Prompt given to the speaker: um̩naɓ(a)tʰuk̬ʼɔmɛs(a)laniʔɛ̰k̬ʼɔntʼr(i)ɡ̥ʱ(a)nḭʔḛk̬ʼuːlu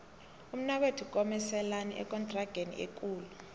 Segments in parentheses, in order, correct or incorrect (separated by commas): incorrect, incorrect, incorrect, incorrect